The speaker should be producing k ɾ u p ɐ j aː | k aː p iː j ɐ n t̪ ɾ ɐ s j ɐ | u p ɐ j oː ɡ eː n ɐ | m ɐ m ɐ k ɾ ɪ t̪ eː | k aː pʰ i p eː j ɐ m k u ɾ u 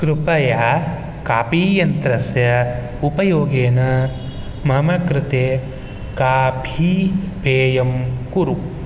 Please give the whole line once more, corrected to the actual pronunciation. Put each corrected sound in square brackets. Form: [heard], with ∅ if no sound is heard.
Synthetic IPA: k ɾ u p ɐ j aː | k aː p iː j ɐ n t̪ ɾ ɐ s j ɐ | u p ɐ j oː ɡ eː n ɐ | m ɐ m ɐ k ɾ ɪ t̪ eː | k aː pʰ i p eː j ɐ m k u ɾ u

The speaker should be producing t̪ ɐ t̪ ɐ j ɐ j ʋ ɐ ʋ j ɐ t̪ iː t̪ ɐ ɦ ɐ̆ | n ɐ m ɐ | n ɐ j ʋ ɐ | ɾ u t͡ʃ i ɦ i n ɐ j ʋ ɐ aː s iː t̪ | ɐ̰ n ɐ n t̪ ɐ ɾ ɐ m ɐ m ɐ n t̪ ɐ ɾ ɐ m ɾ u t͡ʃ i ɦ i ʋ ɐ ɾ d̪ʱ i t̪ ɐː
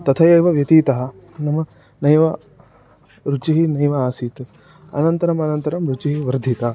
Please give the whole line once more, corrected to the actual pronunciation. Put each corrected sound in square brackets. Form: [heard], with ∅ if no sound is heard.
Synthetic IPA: t̪ ɐ [t̪ʰ] ɐ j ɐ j ʋ ɐ ʋ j ɐ t̪ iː t̪ ɐ ɦ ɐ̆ | n ɐ m ɐ | n ɐ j ʋ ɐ | ɾ u t͡ʃ i ɦ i n ɐ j ʋ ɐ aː s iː t̪ | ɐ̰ n ɐ n t̪ ɐ ɾ ɐ m ɐ [n] ɐ n t̪ ɐ ɾ ɐ m ɾ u t͡ʃ i ɦ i ʋ ɐ ɾ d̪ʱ i t̪ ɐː

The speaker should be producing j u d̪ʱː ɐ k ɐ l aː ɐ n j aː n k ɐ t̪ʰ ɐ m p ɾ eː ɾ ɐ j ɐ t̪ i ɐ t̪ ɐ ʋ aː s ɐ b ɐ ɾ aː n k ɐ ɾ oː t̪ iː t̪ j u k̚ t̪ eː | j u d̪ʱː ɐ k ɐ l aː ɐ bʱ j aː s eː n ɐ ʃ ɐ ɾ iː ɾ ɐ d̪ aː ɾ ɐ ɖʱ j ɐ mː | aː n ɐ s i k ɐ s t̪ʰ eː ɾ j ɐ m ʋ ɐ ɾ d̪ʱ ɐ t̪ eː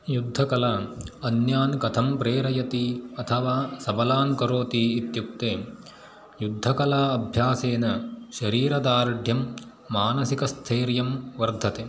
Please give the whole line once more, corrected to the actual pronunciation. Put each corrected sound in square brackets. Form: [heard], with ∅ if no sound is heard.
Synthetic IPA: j u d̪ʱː ɐ k ɐ l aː ɐ n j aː n k ɐ t̪ʰ ɐ m p ɾ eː ɾ ɐ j ɐ t̪ i ɐ [t̪ʰ] ɐ ʋ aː s ɐ b ɐ [l] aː n k ɐ ɾ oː t̪ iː t̪ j u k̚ t̪ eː | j u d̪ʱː ɐ k ɐ l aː ɐ bʱ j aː s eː n ɐ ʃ ɐ ɾ iː ɾ ɐ d̪ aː ɾ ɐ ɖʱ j ɐ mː | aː n ɐ s i k ɐ s t̪ʰ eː ɾ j ɐ m ʋ ɐ ɾ d̪ʱ ɐ t̪ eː

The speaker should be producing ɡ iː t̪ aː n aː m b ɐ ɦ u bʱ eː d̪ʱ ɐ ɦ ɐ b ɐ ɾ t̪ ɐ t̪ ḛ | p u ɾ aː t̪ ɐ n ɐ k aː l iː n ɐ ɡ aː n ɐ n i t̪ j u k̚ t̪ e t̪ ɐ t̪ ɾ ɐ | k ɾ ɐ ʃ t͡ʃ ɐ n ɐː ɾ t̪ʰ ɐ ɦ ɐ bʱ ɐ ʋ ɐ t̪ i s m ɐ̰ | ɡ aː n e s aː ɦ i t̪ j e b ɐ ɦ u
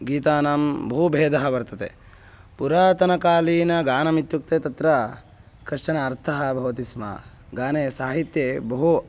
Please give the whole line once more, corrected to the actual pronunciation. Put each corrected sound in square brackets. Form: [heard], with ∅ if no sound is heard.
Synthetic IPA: ɡ iː t̪ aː n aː m b ɐ ɦ u bʱ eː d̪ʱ ɐ ɦ ɐ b ɐ ɾ t̪ ɐ t̪ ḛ | p u ɾ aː t̪ ɐ n ɐ k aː l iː n ɐ ɡ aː n ɐ [m] i t̪ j u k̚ t̪ e t̪ ɐ t̪ ɾ ɐ | k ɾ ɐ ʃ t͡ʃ ɐ n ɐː ɾ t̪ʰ ɐ ɦ ɐ bʱ ɐ ʋ ɐ t̪ i s m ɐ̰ | ɡ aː n e s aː ɦ i t̪ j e b ɐ ɦ u

